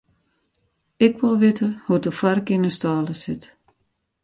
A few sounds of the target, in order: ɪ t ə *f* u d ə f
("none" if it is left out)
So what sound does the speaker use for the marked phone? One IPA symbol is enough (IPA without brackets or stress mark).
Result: h